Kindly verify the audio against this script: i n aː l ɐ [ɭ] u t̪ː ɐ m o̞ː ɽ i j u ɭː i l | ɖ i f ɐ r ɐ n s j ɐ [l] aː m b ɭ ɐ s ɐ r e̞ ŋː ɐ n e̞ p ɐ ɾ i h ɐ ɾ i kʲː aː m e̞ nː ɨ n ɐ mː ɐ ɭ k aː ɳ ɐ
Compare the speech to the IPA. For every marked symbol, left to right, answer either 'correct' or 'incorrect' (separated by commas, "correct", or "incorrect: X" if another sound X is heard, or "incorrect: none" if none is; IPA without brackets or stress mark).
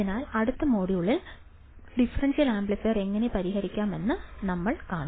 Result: incorrect: ɽ, correct